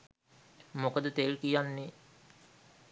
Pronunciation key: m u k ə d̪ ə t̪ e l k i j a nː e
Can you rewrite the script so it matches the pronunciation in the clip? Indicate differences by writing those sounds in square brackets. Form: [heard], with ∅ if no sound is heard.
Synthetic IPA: m [o] k ə d̪ ə t̪ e l k i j a nː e